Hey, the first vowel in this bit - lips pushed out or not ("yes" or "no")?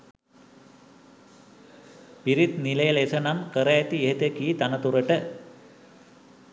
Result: no